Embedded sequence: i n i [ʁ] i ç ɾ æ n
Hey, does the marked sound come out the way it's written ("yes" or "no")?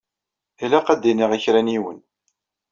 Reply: yes